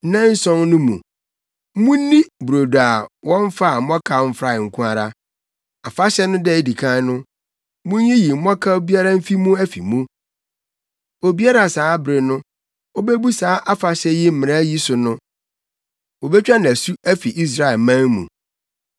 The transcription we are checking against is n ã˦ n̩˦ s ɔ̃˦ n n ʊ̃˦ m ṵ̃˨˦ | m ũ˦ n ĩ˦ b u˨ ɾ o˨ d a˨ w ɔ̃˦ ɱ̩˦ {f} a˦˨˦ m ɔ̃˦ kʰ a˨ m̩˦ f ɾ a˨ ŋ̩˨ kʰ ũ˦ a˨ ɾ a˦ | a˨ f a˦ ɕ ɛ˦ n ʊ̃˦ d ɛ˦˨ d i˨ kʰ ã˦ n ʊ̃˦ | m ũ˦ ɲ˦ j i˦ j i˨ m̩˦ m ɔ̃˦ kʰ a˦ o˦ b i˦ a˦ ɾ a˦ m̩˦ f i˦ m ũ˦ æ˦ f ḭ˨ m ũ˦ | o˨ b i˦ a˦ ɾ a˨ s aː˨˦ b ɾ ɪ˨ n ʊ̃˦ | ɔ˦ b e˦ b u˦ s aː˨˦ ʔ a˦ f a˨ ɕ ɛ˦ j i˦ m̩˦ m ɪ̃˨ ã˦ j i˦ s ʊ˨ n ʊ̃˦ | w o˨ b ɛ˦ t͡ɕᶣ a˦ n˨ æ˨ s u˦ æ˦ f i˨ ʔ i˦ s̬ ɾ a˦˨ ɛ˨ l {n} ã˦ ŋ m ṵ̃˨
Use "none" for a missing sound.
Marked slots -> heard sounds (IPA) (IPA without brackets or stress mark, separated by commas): f, m